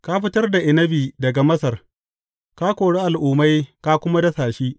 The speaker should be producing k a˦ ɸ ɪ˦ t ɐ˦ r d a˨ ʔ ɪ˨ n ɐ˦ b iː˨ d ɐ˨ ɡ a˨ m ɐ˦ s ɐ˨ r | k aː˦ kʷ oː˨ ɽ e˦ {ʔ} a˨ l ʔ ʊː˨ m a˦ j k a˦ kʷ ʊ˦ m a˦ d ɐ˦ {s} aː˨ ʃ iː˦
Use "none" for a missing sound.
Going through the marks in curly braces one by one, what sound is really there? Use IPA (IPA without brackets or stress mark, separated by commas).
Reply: ʔ, s